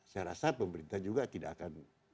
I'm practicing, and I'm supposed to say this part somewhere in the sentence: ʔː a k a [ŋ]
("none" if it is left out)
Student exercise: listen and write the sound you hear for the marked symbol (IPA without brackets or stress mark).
n